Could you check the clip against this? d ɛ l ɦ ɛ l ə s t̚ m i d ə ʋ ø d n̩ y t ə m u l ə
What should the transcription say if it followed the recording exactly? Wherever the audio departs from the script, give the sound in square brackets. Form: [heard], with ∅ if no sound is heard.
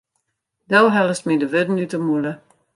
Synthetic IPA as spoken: d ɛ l ɦ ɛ l ə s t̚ m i d ə ʋ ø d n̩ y t ə m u l ə